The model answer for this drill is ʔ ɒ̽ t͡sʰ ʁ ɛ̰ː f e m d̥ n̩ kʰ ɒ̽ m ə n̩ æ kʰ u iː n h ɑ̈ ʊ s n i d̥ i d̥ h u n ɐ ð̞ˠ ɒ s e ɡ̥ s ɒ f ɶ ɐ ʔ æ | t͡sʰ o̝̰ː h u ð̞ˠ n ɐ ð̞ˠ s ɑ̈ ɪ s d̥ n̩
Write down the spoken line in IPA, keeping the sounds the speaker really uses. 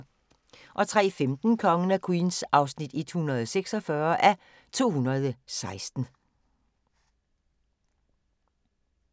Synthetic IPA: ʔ ɒ̽ t͡sʰ ʁ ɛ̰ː f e m d̥ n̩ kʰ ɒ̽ ŋ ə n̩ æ kʰ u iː n s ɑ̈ ʊ s n i d̥ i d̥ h u n ɐ ð̞ˠ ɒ s e ɡ̥ s ɒ f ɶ ɐ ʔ æ | t͡sʰ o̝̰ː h u n ɐ ð̞ˠ s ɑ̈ ɪ s d̥ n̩